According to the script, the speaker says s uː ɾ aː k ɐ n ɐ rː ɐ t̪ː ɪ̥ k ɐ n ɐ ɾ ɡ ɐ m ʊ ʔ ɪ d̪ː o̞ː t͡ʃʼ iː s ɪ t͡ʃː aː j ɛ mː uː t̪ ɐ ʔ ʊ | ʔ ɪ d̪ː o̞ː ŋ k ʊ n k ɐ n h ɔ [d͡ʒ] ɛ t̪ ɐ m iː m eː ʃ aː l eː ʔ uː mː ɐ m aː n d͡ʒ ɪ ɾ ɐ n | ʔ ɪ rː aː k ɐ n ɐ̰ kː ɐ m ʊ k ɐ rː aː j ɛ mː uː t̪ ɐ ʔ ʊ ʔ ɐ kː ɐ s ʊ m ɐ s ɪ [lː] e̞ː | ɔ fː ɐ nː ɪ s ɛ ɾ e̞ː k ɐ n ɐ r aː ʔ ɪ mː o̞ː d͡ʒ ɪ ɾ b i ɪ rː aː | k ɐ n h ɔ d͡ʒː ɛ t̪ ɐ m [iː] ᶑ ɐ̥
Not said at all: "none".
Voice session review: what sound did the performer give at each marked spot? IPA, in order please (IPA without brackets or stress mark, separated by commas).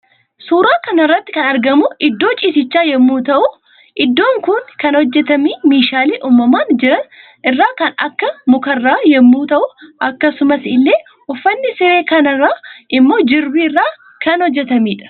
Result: d͡ʒː, lː, iː